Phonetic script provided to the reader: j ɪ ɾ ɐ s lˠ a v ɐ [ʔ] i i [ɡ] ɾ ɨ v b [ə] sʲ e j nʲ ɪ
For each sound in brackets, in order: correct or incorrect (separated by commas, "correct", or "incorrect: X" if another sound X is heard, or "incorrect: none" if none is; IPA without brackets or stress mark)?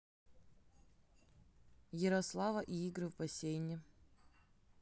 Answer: correct, correct, incorrect: ɐ